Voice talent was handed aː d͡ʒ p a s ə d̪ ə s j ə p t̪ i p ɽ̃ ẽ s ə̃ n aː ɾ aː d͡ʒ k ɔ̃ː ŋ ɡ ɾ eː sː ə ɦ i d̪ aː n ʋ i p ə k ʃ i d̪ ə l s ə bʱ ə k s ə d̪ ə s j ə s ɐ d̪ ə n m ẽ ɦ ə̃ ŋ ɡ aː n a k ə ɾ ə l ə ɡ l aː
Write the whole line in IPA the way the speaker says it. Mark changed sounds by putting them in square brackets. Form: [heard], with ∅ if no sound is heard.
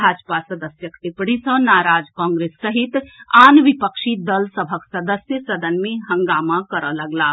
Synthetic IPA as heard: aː d͡ʒ p a s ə d̪ ə s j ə [k] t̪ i p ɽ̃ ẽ s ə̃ n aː ɾ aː d͡ʒ k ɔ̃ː ŋ ɡ ɾ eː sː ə ɦ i [t̪] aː n ʋ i p ə k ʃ i d̪ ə l s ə bʱ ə k s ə d̪ ə s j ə s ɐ d̪ ə n m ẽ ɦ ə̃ ŋ ɡ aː [m] a k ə ɾ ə l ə ɡ l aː